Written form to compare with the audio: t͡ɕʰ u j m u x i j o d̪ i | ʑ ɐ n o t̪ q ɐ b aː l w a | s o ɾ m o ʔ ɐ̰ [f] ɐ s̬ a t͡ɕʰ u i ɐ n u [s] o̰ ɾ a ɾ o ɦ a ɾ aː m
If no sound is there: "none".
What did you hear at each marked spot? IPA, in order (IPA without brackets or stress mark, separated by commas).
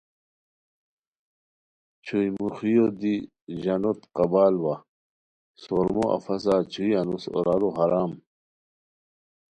f, s